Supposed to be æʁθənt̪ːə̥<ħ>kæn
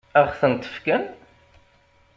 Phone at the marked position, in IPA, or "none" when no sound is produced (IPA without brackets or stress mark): f